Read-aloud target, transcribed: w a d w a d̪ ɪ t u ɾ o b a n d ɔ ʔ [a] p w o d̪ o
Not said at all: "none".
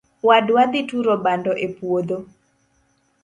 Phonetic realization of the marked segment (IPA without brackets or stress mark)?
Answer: e